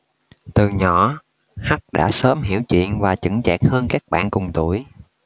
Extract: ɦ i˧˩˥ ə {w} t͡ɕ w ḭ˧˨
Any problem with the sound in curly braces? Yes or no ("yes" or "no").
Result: no